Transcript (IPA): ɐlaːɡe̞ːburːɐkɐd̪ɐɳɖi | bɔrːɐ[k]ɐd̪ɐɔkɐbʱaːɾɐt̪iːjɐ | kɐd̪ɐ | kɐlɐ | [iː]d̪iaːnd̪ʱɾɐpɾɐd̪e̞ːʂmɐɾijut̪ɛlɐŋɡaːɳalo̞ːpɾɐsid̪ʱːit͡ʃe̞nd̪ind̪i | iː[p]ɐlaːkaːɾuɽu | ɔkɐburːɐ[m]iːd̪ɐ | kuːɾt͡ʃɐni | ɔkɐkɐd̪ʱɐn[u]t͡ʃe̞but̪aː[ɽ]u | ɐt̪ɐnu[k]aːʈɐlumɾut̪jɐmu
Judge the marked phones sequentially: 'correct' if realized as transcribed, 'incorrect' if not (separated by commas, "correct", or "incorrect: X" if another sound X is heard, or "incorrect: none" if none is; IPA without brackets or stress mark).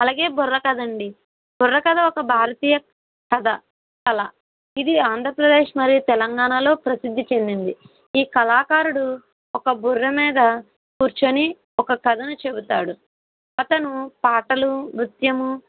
correct, incorrect: i, incorrect: k, correct, correct, correct, incorrect: p